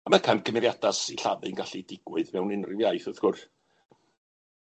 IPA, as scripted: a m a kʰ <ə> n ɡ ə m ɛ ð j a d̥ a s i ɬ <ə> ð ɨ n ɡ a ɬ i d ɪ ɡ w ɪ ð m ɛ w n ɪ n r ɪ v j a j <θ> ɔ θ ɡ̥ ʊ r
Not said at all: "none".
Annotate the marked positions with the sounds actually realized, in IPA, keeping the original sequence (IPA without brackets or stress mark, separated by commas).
a, a, θ